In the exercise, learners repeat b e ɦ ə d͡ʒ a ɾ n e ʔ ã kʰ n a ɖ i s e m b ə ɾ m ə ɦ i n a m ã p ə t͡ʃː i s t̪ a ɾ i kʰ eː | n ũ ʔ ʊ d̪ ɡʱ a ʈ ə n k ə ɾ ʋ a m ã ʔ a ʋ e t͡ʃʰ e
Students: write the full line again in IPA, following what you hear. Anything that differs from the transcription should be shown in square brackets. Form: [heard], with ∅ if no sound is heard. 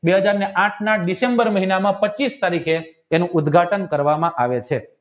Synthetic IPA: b e ɦ ə d͡ʒ a ɾ n e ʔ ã [ʈʰ] n a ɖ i s e m b ə ɾ m ə ɦ i n a m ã p ə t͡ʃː i s t̪ a ɾ i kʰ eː | n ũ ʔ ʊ d̪ ɡʱ a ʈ ə n k ə ɾ ʋ a m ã ʔ a ʋ e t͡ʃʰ e